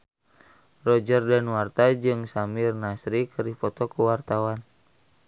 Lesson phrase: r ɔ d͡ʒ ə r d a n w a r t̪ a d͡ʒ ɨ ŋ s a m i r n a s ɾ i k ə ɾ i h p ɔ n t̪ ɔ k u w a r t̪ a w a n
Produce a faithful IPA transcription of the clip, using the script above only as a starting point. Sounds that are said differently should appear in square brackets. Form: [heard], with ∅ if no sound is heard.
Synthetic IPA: r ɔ d͡ʒ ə r d a n w a r t̪ a d͡ʒ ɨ ŋ s a m i r n a s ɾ i k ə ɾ i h p ɔ [∅] t̪ ɔ k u w a r t̪ a w a n

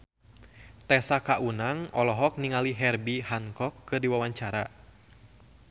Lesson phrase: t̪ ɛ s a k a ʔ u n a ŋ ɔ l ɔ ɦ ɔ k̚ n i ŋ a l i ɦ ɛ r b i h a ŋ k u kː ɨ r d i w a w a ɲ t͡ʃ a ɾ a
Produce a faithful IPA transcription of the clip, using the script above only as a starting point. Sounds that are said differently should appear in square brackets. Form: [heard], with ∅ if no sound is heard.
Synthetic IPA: t̪ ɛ s a k a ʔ u n a ŋ ɔ l ɔ ɦ ɔ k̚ n i ŋ a l i ɦ ɛ r b i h a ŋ k [ɔ] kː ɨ r d i w a w a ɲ t͡ʃ a ɾ a

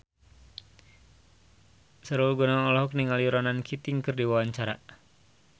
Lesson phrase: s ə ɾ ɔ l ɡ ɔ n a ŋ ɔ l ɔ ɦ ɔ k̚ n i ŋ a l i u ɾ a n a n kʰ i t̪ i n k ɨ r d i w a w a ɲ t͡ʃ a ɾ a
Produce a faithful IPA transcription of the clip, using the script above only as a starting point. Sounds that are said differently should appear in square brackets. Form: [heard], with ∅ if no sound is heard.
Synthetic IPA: s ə ɾ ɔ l ɡ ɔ n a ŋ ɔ l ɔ ɦ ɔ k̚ n i ŋ a l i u ɾ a n a n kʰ i t̪ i [ŋ] k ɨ r d i w a w a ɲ t͡ʃ a ɾ a

